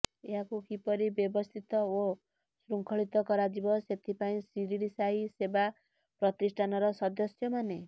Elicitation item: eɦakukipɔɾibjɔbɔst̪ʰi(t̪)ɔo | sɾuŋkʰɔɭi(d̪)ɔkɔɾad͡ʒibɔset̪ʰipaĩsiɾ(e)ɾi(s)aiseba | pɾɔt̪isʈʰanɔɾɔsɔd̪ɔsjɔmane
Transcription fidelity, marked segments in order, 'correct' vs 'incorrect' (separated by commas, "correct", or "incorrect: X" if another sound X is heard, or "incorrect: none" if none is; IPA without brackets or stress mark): correct, incorrect: t̪, incorrect: i, correct